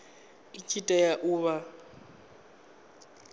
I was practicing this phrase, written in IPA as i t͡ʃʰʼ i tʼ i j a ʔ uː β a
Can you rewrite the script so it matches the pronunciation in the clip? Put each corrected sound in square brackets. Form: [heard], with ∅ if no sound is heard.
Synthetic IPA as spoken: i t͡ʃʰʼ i tʼ [a] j a ʔ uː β a